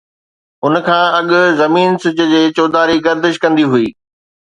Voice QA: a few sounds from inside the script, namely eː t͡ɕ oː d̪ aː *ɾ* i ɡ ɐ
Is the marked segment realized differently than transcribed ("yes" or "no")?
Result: no